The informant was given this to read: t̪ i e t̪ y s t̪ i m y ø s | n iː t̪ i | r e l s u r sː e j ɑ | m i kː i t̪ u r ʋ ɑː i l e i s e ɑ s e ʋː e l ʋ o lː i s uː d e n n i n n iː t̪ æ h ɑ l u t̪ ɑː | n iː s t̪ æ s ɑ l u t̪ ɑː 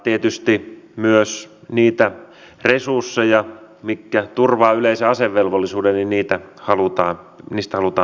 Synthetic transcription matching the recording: t̪ i e t̪ y s t̪ i m y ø s | n iː t̪ æ | r e s u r sː e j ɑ | m i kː æ t̪ u r ʋ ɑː y l e i s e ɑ s e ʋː e l ʋ o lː i s uː d e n n i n n iː t̪ æ h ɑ l u t̪ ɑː | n iː s t̪ æ h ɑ l u t̪ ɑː